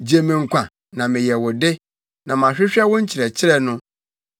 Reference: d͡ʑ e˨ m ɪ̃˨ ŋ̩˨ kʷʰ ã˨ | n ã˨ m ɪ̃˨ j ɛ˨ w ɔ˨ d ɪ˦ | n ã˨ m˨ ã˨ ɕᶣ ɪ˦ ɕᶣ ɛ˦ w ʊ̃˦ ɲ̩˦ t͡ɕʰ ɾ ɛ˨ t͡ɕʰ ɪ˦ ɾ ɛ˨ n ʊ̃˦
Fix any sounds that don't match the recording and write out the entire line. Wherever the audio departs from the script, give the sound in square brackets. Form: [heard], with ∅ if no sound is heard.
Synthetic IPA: d͡ʑ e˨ m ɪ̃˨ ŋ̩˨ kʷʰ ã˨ | n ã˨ m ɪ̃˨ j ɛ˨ w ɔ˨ d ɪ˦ | n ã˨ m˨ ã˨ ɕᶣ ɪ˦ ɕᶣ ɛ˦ w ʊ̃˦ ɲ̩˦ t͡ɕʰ ɾ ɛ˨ t͡ɕʰ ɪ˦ ɾ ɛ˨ n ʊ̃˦